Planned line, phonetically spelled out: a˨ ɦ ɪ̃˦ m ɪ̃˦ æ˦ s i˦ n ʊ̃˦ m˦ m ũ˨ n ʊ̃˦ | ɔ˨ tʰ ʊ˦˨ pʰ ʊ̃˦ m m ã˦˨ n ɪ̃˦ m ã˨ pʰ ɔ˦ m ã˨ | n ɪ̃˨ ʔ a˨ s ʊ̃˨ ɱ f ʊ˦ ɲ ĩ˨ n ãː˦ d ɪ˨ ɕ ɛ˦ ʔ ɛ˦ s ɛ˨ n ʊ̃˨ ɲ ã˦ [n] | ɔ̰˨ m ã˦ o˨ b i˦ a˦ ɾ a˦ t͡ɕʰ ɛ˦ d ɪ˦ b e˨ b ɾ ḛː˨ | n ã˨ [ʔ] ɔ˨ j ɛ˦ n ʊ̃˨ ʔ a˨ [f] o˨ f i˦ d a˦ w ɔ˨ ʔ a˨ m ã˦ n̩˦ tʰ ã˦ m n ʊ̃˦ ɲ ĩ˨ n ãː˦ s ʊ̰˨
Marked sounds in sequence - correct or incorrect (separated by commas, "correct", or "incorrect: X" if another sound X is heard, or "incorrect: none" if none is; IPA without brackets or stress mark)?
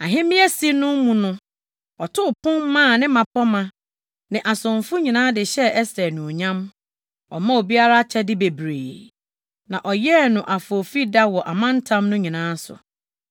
incorrect: m, correct, correct